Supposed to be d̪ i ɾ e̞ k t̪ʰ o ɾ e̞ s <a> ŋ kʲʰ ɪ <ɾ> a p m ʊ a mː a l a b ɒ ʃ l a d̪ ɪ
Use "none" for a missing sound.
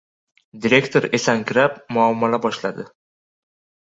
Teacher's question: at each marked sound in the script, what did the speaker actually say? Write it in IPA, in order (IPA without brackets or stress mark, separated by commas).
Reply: a, ɾ